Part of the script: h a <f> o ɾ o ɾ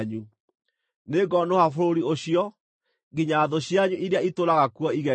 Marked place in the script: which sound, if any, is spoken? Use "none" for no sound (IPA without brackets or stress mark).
f